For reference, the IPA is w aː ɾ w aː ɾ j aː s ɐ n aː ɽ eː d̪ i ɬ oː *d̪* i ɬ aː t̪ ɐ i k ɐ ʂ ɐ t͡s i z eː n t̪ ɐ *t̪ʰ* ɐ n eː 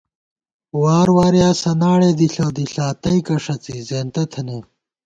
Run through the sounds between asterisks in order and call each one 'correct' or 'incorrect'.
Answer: correct, correct

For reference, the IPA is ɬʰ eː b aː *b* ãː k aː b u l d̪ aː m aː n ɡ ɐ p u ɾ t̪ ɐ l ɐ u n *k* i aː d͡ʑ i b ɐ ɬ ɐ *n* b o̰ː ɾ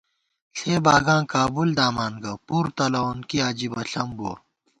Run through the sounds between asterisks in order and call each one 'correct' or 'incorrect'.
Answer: incorrect, correct, incorrect

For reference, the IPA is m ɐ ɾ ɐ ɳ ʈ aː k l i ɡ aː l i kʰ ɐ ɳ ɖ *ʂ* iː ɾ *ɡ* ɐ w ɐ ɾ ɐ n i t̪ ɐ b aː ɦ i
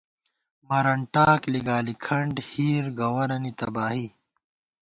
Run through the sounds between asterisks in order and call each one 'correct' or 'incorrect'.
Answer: incorrect, correct

